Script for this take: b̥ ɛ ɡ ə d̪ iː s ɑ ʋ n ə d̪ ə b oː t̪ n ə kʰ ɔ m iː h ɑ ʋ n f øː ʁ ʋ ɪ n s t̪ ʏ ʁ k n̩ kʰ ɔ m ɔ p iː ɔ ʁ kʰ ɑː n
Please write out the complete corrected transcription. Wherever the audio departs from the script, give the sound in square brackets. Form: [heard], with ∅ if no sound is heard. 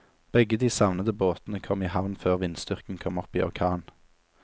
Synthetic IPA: b̥ ɛ ɡ ə d̪ iː s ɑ ʋ n ə d̪ ə b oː t̪ n ə kʰ ɔ m iː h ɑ ʋ n f øː ʁ ʋ ɪ n s t̪ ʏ ʁ k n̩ kʰ ɔ m ɔ p iː ɔ ʁ kʰ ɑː n